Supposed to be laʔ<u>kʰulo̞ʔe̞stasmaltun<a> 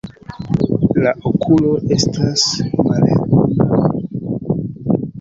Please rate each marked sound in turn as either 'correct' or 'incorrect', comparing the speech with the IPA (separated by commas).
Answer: incorrect, correct